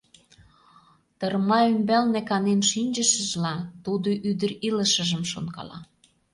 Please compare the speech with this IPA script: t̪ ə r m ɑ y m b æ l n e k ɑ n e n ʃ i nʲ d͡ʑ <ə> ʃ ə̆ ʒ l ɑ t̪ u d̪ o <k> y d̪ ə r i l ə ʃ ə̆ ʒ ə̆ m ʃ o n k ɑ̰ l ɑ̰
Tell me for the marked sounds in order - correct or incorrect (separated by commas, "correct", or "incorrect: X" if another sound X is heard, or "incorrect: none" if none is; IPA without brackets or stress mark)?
correct, incorrect: ʔ